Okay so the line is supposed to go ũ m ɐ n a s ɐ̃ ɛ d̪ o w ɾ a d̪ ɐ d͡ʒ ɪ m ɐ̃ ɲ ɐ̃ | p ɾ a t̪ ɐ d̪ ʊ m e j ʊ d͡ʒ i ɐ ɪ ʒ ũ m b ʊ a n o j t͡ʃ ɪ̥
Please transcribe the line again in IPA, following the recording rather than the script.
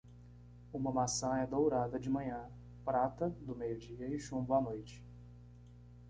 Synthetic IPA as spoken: ũ m ɐ m a s ɐ̃ ɛ d̪ o w ɾ a d̪ ɐ d͡ʒ ɪ m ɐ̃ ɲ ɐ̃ | p ɾ a t̪ ɐ d̪ ʊ m e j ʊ d͡ʒ i ɐ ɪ ʃ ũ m b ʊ a n o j t͡ʃ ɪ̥